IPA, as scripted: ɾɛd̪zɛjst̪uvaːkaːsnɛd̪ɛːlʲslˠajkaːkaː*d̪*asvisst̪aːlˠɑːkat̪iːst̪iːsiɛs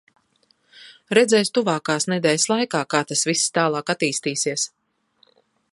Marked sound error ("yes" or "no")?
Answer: yes